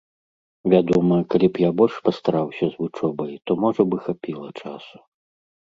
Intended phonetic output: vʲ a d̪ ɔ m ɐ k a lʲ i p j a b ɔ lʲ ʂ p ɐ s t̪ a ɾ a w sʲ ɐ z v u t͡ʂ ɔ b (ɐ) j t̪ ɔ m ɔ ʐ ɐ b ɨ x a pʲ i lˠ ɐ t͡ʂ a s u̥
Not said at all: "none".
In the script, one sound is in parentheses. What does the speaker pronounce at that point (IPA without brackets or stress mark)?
ɐ